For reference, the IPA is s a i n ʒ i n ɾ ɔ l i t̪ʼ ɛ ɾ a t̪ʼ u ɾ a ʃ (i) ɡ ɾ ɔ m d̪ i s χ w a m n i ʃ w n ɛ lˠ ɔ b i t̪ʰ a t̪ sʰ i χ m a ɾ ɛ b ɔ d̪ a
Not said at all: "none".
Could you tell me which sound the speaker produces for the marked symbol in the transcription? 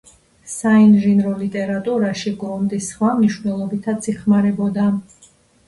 i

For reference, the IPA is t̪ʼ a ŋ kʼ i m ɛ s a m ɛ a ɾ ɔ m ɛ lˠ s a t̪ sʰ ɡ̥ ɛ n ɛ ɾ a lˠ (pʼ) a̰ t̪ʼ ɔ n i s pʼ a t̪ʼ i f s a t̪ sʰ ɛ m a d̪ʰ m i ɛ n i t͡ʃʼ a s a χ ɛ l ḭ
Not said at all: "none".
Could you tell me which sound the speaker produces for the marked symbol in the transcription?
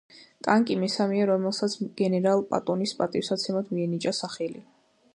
pʼ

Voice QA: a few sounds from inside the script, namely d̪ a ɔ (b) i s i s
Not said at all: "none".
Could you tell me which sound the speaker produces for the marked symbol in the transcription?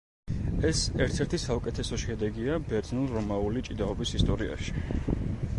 b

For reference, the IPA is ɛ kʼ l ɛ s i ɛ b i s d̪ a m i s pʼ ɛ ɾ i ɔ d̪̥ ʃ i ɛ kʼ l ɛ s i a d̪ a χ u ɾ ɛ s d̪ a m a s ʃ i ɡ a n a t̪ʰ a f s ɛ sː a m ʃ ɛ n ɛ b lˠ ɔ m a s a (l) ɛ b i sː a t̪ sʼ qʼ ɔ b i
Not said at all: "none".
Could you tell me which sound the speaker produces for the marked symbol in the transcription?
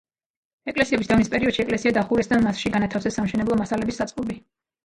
l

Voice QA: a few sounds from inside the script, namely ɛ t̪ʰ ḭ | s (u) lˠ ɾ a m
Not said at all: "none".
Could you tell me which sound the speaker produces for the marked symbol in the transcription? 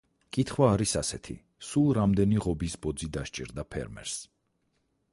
u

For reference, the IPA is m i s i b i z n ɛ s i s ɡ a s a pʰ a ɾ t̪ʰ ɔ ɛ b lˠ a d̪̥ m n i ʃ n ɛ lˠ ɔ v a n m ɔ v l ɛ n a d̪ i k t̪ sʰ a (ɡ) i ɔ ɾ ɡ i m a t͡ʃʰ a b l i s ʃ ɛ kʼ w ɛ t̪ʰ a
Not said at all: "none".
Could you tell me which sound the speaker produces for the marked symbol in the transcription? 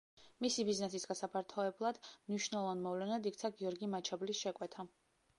ɡ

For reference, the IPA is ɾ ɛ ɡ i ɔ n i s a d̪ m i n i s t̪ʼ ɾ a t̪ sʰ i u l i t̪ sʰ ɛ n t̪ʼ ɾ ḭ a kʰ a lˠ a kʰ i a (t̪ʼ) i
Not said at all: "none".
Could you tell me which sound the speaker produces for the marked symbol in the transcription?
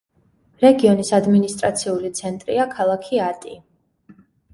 t̪ʼ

